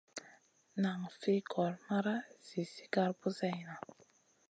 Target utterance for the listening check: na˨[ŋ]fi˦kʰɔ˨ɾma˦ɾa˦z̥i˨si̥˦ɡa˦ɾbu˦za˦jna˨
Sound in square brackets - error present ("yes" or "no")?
no